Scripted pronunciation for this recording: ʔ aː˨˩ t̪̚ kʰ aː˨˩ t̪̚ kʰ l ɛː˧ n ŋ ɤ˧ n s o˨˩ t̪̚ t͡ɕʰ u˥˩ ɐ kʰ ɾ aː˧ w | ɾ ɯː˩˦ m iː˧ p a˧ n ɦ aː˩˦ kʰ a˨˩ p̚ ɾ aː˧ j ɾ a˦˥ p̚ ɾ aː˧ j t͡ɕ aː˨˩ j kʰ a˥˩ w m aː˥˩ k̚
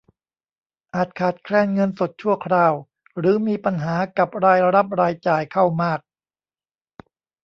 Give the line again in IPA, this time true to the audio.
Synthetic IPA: ʔ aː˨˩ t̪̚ kʰ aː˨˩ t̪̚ kʰ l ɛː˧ n ŋ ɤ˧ n s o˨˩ t̪̚ t͡ɕʰ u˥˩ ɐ kʰ ɾ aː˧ w | ɾ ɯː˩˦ m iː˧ p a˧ n ɦ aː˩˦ k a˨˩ p̚ ɾ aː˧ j ɾ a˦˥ p̚ ɾ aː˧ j t͡ɕ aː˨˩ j kʰ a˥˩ w m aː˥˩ k̚

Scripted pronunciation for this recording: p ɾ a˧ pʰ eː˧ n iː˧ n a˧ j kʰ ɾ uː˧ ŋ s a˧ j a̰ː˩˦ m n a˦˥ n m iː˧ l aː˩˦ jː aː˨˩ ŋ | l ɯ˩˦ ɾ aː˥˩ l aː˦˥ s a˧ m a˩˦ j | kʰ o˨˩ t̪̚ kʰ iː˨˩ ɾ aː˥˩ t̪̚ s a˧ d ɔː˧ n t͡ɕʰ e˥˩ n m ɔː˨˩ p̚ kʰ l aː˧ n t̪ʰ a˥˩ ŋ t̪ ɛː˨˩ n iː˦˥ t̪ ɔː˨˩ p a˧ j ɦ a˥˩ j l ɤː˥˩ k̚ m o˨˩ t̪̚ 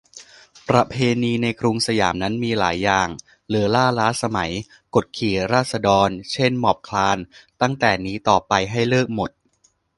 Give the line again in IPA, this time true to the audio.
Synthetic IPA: p ɾ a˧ pʰ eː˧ n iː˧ n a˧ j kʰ ɾ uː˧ ŋ s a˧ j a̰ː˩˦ m n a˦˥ n m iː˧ l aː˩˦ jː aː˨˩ ŋ | l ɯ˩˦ l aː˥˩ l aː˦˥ s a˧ m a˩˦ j | k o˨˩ t̪̚ kʰ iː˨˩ ɾ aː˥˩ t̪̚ s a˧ d ɔː˧ n t͡ɕʰ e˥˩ n m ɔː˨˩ p̚ kʰ l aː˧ n t̪ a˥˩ ŋ t̪ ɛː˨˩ n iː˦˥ t̪ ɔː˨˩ p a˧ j ɦ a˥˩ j l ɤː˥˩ k̚ m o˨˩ t̪̚

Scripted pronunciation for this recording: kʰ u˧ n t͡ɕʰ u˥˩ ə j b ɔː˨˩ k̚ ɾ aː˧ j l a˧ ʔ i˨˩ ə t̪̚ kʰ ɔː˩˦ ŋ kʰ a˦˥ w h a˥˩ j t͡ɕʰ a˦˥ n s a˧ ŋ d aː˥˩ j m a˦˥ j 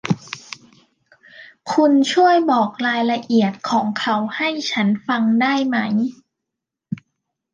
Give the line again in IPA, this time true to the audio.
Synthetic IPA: kʰ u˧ n t͡ɕʰ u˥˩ ə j b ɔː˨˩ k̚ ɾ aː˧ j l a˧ ʔ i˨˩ ə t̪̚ kʰ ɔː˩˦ ŋ kʰ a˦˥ w h a˥˩ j t͡ɕʰ a˦˥ n f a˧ ŋ d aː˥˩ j m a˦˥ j

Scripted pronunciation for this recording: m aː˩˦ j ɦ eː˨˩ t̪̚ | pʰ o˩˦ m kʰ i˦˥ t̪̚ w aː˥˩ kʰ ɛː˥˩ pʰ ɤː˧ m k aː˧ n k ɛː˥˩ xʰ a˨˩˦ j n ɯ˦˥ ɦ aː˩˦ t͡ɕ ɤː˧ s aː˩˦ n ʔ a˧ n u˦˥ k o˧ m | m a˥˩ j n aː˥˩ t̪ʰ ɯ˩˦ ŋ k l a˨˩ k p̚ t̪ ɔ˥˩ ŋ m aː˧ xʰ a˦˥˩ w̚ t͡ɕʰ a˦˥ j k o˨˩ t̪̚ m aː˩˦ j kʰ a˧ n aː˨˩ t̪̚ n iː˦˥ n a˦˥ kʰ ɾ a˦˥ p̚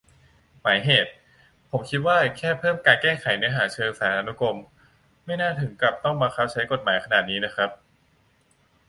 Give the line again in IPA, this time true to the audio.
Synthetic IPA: m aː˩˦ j ɦ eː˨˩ t̪̚ | pʰ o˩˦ m kʰ i˦˥ t̪̚ w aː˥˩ kʰ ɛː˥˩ pʰ ɤː˥˩ m k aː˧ n k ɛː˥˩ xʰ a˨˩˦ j n ɯ˦˥ ɦ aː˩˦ t͡ɕʰ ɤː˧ s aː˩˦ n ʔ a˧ n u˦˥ k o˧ m | m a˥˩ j n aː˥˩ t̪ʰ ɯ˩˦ ŋ k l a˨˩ p̚ t̪ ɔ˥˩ ŋ m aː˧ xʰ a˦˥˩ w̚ t͡ɕʰ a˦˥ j k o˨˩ t̪̚ m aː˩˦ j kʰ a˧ n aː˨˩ t̪̚ n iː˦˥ n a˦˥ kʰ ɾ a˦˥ p̚

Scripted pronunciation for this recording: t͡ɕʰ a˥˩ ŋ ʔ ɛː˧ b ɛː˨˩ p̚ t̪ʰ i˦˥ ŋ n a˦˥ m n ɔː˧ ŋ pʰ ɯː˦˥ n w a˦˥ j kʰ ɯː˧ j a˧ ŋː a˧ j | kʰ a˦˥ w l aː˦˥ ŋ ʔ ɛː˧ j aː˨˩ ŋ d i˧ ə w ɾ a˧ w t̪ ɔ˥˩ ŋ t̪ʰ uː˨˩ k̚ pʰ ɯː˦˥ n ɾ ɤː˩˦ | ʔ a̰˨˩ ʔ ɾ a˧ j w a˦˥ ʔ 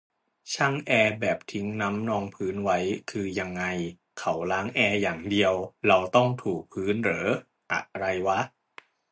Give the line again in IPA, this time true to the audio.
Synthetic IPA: t͡ɕʰ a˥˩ ŋ ʔ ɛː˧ b ɛː˨˩ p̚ t̪ʰ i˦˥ ŋ n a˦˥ m n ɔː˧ ŋ pʰ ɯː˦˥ n w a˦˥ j kʰ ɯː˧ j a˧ ŋː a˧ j | kʰ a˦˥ w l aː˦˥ ŋ ʔ ɛː˧ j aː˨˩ ŋ d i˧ ə w ɾ a˧ w t̪ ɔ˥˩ ŋ t̪ʰ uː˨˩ k̚ pʰ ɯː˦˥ n ɾ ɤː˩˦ | ʔ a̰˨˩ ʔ ɾ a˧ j w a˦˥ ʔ

